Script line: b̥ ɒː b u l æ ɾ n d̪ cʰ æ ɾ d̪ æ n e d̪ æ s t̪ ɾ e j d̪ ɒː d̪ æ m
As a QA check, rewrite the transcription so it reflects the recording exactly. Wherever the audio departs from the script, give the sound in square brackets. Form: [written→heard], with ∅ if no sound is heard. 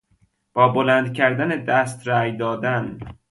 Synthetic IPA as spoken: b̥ ɒː b [u→o] l æ [ɾ→∅] n d̪ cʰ æ ɾ d̪ æ n e d̪ æ s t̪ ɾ [e→æ] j d̪ ɒː d̪ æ [m→n]